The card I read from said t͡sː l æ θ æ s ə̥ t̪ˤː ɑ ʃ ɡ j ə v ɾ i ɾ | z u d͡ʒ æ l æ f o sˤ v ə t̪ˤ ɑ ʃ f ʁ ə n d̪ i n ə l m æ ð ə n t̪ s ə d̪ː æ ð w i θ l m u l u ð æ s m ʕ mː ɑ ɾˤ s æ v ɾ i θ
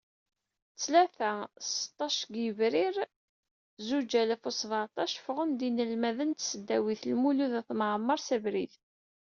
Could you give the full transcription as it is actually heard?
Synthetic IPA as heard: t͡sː l æ θ æ s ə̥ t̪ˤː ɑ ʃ ɡ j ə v ɾ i ɾ | z u d͡ʒ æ l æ f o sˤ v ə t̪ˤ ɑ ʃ f ʁ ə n d̪ i n ə l m æ ð ə n t̪ s ə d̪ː æ w i θ l m u l u ð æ θ m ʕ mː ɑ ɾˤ s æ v ɾ i θ